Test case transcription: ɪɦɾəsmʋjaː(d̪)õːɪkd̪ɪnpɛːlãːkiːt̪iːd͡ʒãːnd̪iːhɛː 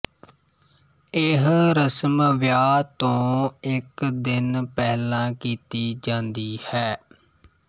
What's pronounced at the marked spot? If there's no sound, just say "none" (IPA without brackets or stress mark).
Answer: t̪